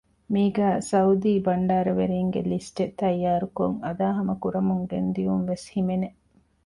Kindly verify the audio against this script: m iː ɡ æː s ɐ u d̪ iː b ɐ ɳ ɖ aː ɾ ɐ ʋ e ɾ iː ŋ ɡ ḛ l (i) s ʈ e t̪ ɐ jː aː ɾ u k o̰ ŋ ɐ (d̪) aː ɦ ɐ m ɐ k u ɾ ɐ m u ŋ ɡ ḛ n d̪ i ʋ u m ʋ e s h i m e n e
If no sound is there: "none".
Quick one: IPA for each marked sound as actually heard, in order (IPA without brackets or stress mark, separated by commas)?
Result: i, d̪